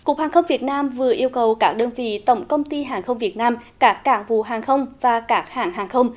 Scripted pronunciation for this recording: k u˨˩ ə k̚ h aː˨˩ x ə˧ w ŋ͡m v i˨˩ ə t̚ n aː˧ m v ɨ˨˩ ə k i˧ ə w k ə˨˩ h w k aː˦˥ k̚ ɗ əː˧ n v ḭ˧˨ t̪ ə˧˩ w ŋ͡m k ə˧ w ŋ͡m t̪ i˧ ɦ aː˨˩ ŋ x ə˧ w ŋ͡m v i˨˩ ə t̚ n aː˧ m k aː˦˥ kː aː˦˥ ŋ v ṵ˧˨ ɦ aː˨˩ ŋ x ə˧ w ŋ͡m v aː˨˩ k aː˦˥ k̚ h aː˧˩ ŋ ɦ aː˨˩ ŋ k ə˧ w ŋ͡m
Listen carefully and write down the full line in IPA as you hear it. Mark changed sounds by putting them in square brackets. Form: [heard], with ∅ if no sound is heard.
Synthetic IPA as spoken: k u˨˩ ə k̚ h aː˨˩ x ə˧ w ŋ͡m v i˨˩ ə t̚ n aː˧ m v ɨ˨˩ ə [ʔ] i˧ ə w k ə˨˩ [∅] w k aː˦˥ k̚ ɗ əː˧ n v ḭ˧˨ t̪ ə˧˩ w ŋ͡m k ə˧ w ŋ͡m t̪ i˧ ɦ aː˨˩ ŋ x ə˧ w ŋ͡m v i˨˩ ə t̚ n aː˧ m k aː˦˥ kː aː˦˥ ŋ v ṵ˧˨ ɦ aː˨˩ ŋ x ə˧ w ŋ͡m v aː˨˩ k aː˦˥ k̚ h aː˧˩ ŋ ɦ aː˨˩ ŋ [x] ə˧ w ŋ͡m

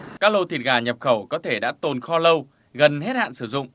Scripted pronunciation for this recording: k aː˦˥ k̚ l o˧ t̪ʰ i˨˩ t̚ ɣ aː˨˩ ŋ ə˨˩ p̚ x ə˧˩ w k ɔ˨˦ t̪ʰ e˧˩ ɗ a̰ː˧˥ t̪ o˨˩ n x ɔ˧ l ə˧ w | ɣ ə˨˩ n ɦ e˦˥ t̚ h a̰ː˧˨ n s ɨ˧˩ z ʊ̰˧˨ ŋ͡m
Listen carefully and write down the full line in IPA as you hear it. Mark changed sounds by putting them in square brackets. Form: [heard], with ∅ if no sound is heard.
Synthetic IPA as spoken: k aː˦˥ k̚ l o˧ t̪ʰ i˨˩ t̚ ɣ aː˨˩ [ɲ] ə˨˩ p̚ x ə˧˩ w k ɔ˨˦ t̪ʰ e˧˩ ɗ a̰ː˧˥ t̪ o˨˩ n x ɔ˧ l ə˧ w | ɣ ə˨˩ n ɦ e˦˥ t̚ h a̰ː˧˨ n s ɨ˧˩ z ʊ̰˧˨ ŋ͡m

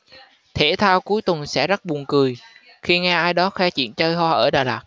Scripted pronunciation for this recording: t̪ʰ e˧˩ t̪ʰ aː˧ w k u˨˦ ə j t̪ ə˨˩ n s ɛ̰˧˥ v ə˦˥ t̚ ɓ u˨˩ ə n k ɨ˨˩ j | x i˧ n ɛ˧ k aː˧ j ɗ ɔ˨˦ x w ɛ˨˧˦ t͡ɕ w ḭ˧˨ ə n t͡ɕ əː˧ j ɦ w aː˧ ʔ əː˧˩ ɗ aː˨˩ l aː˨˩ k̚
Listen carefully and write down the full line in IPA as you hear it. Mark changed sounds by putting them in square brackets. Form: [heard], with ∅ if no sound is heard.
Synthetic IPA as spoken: t̪ʰ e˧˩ t̪ʰ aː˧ w k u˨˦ ə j t̪ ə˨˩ n s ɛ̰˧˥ [z] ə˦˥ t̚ ɓ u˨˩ ə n k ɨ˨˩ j | x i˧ [ŋ] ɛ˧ [ʔ] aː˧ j ɗ ɔ˨˦ x w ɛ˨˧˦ t͡ɕ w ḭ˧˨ ə n t͡ɕ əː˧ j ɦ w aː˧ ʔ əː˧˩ ɗ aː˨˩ l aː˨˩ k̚

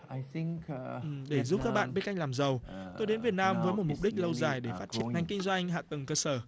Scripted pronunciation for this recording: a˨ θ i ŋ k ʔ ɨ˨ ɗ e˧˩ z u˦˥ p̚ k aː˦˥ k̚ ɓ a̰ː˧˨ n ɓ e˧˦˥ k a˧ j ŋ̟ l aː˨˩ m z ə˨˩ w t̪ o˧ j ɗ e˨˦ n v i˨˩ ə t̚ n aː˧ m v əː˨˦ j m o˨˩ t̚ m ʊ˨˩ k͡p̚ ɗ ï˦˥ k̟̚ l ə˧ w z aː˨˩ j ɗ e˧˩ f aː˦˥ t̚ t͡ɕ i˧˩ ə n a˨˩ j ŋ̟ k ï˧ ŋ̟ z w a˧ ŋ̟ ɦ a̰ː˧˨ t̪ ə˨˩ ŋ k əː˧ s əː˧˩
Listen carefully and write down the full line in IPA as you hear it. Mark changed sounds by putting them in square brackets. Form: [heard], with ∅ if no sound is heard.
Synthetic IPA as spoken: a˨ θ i ŋ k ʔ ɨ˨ ɗ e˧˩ z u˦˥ p̚ k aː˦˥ k̚ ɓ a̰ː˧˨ n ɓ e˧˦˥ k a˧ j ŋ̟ l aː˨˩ m z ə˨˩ w t̪ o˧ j ɗ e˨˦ n v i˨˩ ə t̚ n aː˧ m v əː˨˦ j m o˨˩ t̚ m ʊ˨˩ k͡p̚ ɗ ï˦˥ k̟̚ l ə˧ w z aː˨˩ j ɗ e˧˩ f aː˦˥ t̚ t͡ɕ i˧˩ ə n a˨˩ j ŋ̟ k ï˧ ŋ̟ z w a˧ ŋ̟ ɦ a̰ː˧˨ t̪ ə˨˩ ŋ k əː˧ s əː˧˩

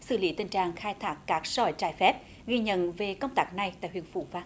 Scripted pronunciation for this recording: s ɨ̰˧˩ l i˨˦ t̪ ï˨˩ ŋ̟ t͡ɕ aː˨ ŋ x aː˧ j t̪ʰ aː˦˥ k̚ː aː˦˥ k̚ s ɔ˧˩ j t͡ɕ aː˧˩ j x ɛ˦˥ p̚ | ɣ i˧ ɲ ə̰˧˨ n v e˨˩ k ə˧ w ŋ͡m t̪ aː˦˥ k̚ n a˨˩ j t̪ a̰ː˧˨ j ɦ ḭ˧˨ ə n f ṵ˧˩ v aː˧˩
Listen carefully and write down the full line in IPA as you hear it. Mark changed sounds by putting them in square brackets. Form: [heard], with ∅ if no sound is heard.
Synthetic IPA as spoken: s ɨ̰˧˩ l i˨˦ t̪ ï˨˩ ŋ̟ t͡ɕ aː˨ ŋ x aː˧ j t̪ʰ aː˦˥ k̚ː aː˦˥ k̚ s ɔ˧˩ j t͡ɕ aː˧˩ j [f] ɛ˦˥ p̚ | ɣ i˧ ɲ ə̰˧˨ n v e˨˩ k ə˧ w ŋ͡m t̪ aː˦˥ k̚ n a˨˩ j t̪ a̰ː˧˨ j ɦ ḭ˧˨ ə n f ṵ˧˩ v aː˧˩

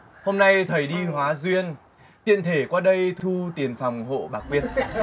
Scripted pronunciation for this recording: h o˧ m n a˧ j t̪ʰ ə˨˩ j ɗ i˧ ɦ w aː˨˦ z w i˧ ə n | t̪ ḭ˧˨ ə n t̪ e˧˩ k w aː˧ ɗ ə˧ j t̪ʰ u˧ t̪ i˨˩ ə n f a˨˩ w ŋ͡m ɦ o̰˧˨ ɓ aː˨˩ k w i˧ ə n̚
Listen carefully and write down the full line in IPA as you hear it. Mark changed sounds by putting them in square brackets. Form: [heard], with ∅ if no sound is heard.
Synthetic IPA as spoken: h o˧ m n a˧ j t̪ʰ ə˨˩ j ɗ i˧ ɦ w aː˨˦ z w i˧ ə n | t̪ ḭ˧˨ ə n [t̪ʰ] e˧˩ k w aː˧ ɗ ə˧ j t̪ʰ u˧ t̪ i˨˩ ə n f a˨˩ w ŋ͡m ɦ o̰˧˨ ɓ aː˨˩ k w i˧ ə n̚

